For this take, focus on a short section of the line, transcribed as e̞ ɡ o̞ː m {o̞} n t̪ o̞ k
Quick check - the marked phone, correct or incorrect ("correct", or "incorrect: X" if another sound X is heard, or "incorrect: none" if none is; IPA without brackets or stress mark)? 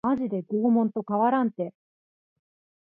incorrect: õ̞